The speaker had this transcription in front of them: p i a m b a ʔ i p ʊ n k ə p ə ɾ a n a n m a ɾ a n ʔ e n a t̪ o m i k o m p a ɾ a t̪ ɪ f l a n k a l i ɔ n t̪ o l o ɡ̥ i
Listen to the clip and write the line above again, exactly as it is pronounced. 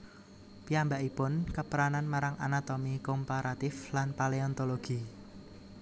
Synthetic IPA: p i a m b a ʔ i p ʊ n k ə p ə ɾ a n a n m a ɾ a ŋ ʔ a n a t̪ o m i k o m p a ɾ a t̪ ɪ f l a n p a l e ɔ n t̪ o l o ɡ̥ i